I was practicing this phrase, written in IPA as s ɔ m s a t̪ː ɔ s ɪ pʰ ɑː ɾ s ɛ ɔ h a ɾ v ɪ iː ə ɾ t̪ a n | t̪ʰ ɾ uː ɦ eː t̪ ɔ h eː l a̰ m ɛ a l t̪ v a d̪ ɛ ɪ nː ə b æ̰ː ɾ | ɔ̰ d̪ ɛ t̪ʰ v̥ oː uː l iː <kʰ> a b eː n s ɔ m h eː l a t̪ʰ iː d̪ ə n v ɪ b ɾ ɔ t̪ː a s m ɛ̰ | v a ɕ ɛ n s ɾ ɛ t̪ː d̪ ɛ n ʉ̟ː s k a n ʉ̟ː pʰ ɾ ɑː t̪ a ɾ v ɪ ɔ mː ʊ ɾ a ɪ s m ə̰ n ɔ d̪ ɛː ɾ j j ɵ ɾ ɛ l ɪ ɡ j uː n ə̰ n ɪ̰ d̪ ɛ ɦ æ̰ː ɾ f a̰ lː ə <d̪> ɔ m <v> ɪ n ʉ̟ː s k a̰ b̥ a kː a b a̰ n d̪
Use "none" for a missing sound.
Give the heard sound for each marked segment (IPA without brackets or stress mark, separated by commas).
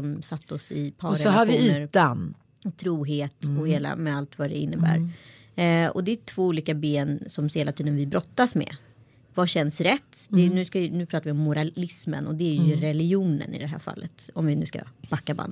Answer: k, t̪, v